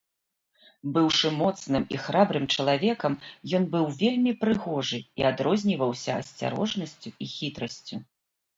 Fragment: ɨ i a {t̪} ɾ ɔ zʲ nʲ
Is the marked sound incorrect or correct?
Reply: incorrect